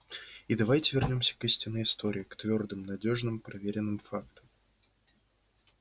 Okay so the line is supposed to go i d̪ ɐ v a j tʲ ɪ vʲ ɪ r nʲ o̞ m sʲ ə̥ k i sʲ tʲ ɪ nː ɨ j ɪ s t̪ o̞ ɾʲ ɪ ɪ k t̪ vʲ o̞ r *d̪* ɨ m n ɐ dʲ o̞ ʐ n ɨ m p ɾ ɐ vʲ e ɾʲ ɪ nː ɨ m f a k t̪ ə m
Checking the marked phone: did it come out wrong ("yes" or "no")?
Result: no